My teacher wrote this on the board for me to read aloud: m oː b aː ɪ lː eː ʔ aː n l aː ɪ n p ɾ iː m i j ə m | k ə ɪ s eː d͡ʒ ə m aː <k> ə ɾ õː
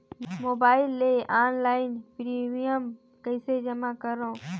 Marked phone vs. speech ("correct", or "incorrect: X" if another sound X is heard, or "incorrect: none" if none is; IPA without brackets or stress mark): correct